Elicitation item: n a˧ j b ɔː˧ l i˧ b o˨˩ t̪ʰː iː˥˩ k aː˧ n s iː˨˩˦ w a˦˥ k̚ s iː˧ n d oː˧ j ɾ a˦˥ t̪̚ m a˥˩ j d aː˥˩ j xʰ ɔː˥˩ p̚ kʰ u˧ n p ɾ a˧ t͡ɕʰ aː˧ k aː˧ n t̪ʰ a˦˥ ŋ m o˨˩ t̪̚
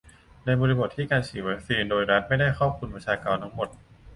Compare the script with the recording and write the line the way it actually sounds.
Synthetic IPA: n a˧ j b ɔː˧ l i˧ b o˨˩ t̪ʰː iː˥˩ k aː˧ n s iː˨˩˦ w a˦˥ k̚ s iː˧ n d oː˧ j ɾ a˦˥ t̪̚ m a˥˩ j d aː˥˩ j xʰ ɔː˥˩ p̚ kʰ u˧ n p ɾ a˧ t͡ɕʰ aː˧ k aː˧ n t̪ʰ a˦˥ ŋ m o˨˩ t̪̚